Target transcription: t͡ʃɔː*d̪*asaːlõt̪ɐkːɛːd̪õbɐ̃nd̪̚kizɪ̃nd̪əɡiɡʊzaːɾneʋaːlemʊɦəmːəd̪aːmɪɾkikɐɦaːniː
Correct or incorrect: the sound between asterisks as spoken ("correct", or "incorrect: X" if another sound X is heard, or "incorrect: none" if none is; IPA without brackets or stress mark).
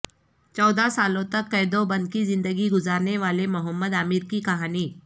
correct